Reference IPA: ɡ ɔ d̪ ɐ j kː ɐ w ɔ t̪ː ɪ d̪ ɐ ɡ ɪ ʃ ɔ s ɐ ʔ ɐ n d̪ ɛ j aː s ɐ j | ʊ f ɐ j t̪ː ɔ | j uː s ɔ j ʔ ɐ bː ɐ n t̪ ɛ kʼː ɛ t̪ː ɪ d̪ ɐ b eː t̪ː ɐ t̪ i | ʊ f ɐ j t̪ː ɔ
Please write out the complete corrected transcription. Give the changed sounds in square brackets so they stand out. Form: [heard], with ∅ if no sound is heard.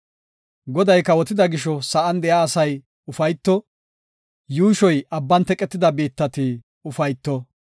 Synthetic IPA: ɡ ɔ d̪ ɐ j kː ɐ w ɔ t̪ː ɪ d̪ ɐ ɡ ɪ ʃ ɔ s ɐ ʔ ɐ n d̪ ɛ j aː s ɐ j | ʊ f ɐ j t̪ː ɔ | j uː [ʃ] ɔ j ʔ ɐ bː ɐ n t̪ ɛ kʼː ɛ t̪ː ɪ d̪ ɐ b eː t̪ː ɐ t̪ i | ʊ f ɐ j t̪ː ɔ